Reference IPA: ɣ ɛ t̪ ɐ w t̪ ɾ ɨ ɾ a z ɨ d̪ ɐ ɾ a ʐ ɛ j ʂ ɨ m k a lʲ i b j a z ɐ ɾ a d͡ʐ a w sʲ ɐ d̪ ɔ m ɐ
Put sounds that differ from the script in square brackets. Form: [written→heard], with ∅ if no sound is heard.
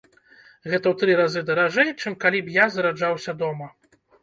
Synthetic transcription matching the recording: ɣ ɛ t̪ ɐ w t̪ ɾ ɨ ɾ a z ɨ d̪ ɐ ɾ a ʐ ɛ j [ʂ→t͡ʂ] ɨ m k a lʲ i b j a z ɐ ɾ a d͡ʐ a w sʲ ɐ d̪ ɔ m ɐ

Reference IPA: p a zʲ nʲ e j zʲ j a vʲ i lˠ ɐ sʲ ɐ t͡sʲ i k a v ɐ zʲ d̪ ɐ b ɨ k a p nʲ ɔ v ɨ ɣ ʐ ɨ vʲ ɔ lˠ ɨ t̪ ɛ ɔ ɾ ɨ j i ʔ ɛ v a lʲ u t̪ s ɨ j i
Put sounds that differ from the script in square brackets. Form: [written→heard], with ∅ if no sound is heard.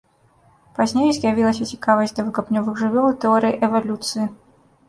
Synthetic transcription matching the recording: p a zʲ nʲ e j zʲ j a vʲ i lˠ ɐ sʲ ɐ t͡sʲ i k a v ɐ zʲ d̪ ɐ [b→v] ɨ k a p nʲ ɔ v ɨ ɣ ʐ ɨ vʲ ɔ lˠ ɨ t̪ ɛ ɔ ɾ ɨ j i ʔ ɛ v a lʲ u t̪ s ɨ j i

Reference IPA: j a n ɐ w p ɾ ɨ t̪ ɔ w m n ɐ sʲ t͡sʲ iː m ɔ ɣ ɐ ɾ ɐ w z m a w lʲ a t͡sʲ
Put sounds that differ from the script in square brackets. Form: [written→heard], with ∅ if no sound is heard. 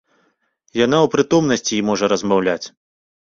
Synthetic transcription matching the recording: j a n [ɐ→a] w p ɾ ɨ t̪ ɔ [w→∅] m n ɐ sʲ t͡sʲ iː m ɔ [ɣ→ʐ] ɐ ɾ ɐ [w→∅] z m a w lʲ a t͡sʲ

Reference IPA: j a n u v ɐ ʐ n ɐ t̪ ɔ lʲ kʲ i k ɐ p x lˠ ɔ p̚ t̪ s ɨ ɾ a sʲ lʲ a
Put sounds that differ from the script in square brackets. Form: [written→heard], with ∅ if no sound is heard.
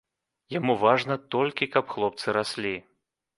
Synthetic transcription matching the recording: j a [n→m] u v [ɐ→a] ʐ n ɐ t̪ ɔ lʲ kʲ i k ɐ p x lˠ ɔ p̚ t̪ s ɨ ɾ a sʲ lʲ [a→i]

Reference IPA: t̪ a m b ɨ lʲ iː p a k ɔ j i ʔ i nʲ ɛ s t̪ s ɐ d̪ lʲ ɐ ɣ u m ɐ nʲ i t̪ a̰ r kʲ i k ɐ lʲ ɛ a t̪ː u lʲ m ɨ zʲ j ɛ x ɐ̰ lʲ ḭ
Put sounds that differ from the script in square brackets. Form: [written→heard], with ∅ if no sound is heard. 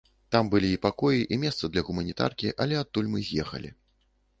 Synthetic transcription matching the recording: t̪ a m b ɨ lʲ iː p a k ɔ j i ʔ i [nʲ→mʲ] ɛ s t̪ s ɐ d̪ lʲ ɐ ɣ u m ɐ nʲ i t̪ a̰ r kʲ i [k→ʔ] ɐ lʲ ɛ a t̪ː u lʲ m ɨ zʲ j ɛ x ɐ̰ lʲ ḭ

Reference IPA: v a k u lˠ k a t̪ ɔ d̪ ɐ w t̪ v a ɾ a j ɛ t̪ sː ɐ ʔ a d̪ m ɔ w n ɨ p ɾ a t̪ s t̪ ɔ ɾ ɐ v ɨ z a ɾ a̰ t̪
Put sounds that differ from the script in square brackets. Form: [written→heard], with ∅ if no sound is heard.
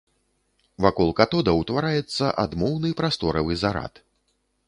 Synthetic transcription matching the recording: v a k [u→ɔ] lˠ k a t̪ ɔ d̪ ɐ w t̪ v a ɾ a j ɛ t̪ sː ɐ ʔ a d̪ m ɔ w n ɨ p ɾ a [t̪→∅] s t̪ ɔ ɾ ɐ v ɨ z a ɾ a̰ t̪

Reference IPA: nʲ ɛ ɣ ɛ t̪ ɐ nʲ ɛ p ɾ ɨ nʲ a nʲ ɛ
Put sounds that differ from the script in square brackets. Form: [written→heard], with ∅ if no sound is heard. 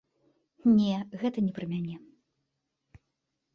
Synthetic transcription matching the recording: nʲ ɛ ɣ ɛ t̪ ɐ nʲ ɛ p ɾ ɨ [nʲ→mʲ] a nʲ ɛ

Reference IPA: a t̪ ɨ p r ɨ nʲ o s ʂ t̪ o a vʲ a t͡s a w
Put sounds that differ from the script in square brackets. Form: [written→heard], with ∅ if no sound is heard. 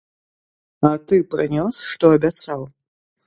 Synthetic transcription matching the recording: a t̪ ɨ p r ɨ nʲ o s ʂ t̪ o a [vʲ→bʲ] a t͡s a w

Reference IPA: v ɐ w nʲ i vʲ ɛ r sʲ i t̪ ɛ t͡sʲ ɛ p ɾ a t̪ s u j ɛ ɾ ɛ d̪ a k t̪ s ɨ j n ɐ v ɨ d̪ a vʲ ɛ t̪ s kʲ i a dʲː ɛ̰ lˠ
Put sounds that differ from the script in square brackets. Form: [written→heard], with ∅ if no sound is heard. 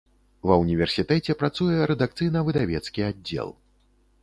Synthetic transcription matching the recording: v ɐ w nʲ i vʲ ɛ r sʲ i t̪ ɛ t͡sʲ ɛ p ɾ a t̪ s u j ɛ ɾ ɛ d̪ a k t̪ s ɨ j n ɐ v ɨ d̪ a vʲ ɛ t̪ s kʲ i a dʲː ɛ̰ lˠ

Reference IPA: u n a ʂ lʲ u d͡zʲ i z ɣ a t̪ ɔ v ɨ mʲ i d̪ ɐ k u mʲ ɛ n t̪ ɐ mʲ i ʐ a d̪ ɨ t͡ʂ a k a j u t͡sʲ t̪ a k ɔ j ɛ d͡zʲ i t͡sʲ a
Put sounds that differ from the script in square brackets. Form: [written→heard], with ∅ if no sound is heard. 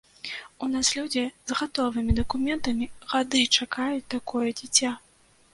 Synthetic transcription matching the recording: u n a [ʂ→s] lʲ u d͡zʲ i z ɣ a t̪ ɔ v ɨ mʲ i d̪ ɐ k u mʲ ɛ n t̪ ɐ mʲ i [ʐ→ɣ] a d̪ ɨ t͡ʂ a k a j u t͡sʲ t̪ a k ɔ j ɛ d͡zʲ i t͡sʲ a

